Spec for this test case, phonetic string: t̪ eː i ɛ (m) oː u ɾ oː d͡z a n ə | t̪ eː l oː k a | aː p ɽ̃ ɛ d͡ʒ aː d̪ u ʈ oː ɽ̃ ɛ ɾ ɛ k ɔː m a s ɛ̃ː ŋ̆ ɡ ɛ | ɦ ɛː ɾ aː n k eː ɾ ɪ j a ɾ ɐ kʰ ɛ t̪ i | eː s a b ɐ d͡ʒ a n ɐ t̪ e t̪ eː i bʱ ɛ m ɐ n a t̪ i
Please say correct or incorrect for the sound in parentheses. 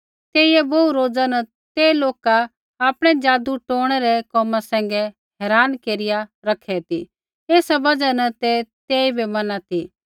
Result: incorrect